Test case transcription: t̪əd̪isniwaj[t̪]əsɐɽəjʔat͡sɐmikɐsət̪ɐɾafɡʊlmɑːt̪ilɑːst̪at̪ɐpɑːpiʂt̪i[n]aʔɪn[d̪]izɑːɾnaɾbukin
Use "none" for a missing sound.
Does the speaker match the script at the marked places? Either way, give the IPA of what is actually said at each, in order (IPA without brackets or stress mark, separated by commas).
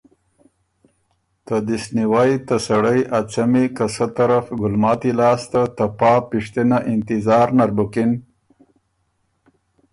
t̪, n, t̪